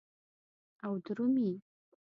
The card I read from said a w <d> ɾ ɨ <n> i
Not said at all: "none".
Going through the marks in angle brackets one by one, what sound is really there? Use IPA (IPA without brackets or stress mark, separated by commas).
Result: d, m